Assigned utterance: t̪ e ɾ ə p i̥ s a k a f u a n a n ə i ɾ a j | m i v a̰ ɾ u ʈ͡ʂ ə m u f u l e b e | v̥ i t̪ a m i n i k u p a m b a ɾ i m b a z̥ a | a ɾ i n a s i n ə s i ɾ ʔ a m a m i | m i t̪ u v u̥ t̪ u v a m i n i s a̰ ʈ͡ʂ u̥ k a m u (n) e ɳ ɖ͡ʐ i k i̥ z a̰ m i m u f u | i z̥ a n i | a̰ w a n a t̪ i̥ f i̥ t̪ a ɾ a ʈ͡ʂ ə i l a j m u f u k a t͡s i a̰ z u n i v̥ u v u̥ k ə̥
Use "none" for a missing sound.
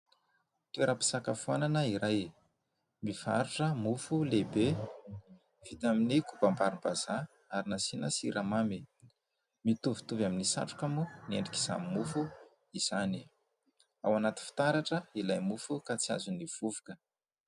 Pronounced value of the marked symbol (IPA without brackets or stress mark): n